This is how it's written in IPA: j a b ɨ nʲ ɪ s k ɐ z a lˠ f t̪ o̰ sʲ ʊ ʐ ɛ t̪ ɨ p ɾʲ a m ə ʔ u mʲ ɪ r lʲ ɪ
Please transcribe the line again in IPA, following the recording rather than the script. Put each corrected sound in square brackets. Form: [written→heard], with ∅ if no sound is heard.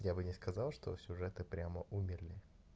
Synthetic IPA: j a b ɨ nʲ ɪ s k ɐ z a lˠ [f→ʂ] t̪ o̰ sʲ ʊ ʐ ɛ t̪ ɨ p ɾʲ a m ə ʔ u mʲ ɪ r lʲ ɪ

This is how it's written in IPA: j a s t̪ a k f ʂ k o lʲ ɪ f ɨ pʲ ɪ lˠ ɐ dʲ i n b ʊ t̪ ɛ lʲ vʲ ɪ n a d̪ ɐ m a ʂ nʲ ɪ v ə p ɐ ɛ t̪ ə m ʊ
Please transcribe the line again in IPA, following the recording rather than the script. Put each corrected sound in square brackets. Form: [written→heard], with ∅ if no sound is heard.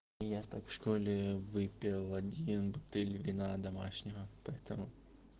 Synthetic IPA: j a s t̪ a k f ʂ k o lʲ ɪ [f→v] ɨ pʲ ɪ lˠ ɐ dʲ i n b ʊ t̪ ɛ lʲ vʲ ɪ n a d̪ ɐ m a ʂ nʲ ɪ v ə p ɐ ɛ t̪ ə m ʊ

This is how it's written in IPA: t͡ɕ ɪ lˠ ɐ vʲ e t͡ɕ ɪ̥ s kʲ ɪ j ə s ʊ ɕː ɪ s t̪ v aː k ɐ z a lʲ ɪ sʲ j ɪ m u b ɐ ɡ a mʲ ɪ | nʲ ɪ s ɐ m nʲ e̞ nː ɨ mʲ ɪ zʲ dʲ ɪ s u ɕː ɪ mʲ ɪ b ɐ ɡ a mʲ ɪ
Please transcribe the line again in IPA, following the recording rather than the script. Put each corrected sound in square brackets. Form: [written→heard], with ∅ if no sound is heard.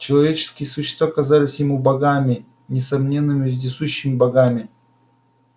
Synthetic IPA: t͡ɕ ɪ lˠ ɐ vʲ e t͡ɕ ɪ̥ s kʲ ɪ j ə s ʊ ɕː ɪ s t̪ v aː k ɐ z a lʲ ɪ sʲ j ɪ m u b ɐ ɡ a mʲ ɪ | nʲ ɪ s ɐ m nʲ e̞ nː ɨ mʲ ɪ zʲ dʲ ɪ s u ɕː ɪ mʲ ɪ b ɐ ɡ a mʲ ɪ

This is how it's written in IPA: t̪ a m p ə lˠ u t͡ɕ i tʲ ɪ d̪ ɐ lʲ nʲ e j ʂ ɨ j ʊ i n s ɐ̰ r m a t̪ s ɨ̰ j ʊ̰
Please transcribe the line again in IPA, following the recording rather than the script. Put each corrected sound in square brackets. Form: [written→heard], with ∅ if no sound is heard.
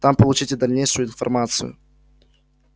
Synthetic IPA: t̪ a m p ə lˠ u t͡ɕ i tʲ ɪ d̪ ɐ lʲ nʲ e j ʂ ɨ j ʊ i n [s→f] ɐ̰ r m a t̪ s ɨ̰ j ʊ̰

